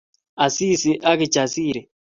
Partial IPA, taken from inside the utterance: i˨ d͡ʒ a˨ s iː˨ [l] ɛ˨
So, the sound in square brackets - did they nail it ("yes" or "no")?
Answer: no